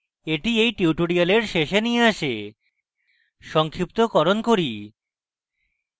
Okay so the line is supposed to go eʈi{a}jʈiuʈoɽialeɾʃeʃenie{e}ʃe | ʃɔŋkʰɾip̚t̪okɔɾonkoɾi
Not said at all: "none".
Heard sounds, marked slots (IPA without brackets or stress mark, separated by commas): e, a